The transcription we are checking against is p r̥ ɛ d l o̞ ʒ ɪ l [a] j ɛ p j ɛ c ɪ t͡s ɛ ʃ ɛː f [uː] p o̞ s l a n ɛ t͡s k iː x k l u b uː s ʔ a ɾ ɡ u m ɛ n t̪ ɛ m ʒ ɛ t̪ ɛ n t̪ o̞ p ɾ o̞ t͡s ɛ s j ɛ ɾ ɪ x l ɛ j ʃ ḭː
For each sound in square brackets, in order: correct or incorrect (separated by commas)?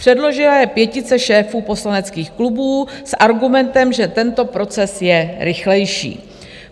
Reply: correct, correct